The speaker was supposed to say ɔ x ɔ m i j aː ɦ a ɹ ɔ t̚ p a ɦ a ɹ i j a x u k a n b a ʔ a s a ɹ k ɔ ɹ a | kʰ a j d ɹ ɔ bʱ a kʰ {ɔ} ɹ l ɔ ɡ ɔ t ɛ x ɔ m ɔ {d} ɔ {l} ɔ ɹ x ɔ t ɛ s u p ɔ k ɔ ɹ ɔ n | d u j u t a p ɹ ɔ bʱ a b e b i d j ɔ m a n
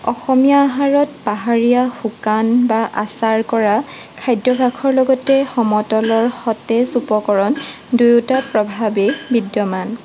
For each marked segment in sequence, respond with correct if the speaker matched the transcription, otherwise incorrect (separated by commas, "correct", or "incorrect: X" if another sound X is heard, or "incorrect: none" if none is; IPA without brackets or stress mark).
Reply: correct, incorrect: t, correct